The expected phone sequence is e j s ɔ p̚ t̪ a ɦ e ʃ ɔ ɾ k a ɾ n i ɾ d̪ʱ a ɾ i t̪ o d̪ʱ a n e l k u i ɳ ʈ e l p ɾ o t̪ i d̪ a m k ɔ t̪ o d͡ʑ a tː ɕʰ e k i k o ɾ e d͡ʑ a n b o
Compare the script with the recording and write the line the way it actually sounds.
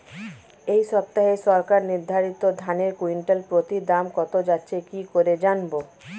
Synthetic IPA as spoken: e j ʃ ɔ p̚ t̪ a ɦ e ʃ ɔ ɾ k a ɾ n i ɾ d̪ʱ a ɾ i t̪ o d̪ʱ a n e ɾ k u i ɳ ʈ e l p ɾ o t̪ i d̪ a m k ɔ t̪ o d͡ʑ a tː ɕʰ e k i k o ɾ e d͡ʑ a n b o